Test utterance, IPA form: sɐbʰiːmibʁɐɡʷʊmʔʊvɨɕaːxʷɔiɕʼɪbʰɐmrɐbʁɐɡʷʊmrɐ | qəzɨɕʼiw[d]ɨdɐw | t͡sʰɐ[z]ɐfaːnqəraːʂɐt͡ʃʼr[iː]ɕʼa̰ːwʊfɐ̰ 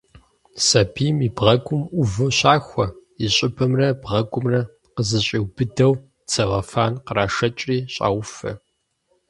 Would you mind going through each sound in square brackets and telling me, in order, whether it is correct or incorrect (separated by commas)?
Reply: incorrect, incorrect, correct